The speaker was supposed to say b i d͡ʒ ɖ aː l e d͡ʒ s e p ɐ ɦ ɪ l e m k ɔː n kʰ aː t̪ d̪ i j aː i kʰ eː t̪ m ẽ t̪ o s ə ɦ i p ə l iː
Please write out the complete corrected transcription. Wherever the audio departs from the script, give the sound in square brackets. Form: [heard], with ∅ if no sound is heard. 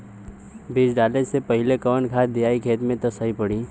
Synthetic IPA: b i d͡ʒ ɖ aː l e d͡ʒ s e p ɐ ɦ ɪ l e [∅] k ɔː n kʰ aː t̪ d̪ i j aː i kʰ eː t̪ m ẽ t̪ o s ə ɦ i p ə [ɽ] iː